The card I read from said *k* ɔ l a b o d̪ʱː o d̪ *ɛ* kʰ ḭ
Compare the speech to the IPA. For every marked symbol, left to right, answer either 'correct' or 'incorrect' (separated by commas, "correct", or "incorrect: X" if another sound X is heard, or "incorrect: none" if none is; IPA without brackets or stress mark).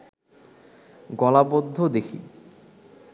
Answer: incorrect: ɡ, incorrect: e